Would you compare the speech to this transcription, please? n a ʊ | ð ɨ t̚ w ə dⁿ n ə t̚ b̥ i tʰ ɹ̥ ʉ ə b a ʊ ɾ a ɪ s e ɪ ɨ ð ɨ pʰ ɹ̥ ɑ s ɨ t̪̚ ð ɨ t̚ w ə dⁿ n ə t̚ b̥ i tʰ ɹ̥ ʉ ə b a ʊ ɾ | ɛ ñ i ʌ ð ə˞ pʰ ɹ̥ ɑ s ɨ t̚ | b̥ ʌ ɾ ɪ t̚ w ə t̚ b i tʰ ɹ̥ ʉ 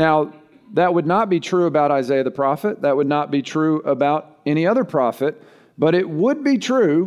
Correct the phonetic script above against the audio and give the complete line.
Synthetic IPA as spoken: n a ʊ | ð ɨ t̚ w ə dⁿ n ə t̚ b̥ i tʰ ɹ̥ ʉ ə b a ʊ ɾ a ɪ z e ɪ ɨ ð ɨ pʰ ɹ̥ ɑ f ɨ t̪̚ ð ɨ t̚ w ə dⁿ n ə t̚ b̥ i tʰ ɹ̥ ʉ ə b a ʊ ɾ | ɛ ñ i ʌ ð ə˞ pʰ ɹ̥ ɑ f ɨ t̚ | b̥ ʌ ɾ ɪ t̚ w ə d̚ b i tʰ ɹ̥ ʉ